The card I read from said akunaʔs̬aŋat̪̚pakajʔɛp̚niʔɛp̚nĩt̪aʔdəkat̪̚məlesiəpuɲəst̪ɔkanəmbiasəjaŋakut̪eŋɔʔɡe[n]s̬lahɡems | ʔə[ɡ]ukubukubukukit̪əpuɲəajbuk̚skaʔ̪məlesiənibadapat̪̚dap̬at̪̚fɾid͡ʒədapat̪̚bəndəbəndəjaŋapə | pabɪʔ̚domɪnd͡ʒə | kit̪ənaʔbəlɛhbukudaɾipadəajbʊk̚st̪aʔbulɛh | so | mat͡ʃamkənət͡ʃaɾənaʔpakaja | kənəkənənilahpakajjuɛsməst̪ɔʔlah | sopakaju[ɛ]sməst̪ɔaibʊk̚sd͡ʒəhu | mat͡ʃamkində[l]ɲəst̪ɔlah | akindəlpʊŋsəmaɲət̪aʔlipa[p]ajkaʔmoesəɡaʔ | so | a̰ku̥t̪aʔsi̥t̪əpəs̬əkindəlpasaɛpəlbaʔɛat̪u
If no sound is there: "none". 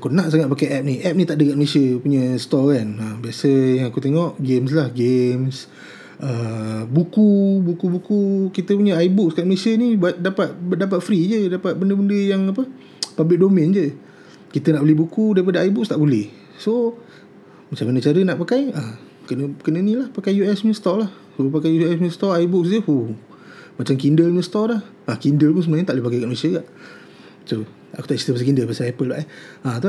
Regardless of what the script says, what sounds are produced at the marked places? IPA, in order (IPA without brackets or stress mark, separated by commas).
m, b, ɛ, l, k